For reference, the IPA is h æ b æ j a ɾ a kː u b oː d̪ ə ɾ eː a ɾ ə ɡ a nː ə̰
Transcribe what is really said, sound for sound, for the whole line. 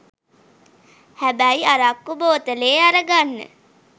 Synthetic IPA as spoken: h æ b æ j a ɾ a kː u b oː t̪ ə l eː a ɾ ə ɡ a nː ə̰